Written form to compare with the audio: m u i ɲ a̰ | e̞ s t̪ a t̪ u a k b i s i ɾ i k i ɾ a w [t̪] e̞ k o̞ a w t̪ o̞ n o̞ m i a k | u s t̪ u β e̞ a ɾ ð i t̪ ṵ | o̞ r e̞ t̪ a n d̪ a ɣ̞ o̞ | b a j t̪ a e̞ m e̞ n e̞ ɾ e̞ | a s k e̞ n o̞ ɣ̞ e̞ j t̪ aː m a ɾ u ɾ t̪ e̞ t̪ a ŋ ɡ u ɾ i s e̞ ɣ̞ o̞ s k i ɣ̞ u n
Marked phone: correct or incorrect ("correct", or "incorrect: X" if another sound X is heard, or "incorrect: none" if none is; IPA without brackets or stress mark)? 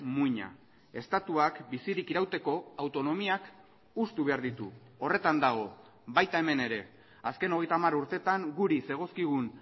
correct